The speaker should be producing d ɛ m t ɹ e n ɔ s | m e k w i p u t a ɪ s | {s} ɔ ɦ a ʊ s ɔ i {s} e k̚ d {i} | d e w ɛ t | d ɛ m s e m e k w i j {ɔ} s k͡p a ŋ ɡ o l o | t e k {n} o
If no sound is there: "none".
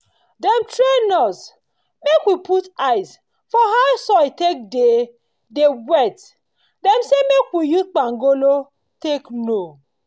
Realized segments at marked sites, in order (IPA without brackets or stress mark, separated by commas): f, t, e, u, n